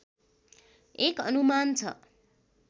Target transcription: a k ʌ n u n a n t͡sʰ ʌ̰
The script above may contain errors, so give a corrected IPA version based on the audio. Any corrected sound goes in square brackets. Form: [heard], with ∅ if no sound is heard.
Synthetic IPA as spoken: [e] k ʌ n u [m] a n t͡sʰ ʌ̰

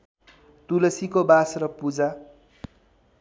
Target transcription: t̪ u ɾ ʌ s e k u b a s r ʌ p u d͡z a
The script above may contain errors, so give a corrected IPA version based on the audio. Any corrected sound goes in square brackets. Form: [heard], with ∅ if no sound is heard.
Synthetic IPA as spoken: t̪ u [l] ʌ s [i] k [o] b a s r ʌ p u d͡z a

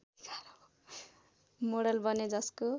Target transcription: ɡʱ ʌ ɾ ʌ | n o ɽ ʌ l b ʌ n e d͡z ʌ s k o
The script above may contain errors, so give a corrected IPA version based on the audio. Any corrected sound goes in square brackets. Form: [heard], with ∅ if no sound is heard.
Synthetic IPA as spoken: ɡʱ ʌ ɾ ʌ | [m] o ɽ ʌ l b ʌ n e d͡z ʌ s k o

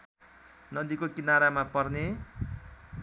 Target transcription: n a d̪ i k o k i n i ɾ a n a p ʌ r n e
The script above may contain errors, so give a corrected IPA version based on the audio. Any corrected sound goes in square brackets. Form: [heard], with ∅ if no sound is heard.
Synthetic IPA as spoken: n [ʌ] d̪ i k o k i n [a] ɾ a [m] a p ʌ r n e

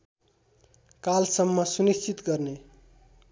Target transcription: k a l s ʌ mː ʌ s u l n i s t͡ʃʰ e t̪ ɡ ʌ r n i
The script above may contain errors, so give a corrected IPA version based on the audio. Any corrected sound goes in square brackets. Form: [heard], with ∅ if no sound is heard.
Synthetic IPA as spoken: k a l s ʌ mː ʌ s u [∅] n i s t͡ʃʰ [i] t̪ ɡ ʌ r n [e]

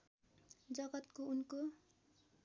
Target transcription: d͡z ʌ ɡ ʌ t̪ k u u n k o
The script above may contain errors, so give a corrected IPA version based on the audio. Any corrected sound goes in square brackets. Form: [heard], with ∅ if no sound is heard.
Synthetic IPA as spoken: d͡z ʌ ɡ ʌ t̪ k [o] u n k o

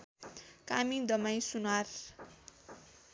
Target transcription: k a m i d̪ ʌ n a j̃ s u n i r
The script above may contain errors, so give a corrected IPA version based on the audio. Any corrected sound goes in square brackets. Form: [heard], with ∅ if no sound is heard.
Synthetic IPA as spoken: k a m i d̪ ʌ [m] a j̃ s u n [a] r

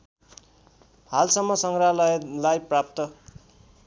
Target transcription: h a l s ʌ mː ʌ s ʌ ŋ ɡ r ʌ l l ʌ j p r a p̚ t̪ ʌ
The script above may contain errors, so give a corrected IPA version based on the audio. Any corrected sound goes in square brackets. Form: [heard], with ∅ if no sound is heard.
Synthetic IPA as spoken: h a l s ʌ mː ʌ s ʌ ŋ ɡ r [a] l l [a] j p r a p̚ t̪ ʌ

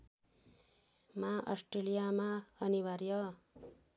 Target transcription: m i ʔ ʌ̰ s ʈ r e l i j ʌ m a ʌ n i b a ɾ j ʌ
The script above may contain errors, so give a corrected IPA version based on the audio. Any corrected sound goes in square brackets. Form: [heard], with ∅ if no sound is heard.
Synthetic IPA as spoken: m [a] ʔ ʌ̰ s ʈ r e l i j [a] m a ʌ n i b a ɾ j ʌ

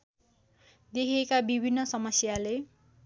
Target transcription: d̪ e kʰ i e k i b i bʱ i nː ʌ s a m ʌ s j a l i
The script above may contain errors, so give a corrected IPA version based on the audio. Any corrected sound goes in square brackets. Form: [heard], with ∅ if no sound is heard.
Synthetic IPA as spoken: d̪ e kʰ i e k [a] b i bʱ i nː ʌ s [ʌ] m ʌ s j a l [e]

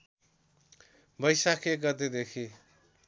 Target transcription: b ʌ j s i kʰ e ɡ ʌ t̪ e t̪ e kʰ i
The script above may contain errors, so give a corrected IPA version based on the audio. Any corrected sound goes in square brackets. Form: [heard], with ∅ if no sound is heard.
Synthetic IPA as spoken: b ʌ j s [a] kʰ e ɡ ʌ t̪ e [d̪] e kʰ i

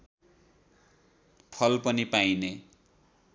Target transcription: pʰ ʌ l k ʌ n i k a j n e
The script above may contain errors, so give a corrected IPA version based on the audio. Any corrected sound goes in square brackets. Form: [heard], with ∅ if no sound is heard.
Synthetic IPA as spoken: pʰ ʌ l [p] ʌ n i [p] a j n e

